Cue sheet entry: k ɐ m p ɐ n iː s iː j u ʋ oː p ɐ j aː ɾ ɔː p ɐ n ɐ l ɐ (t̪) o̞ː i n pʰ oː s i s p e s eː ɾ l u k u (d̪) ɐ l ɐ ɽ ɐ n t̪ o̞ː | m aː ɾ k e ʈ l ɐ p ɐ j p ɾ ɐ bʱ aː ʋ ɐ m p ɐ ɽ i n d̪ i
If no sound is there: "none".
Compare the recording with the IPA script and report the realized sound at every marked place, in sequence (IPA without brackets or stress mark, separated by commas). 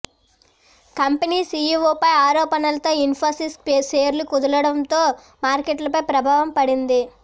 t̪, d̪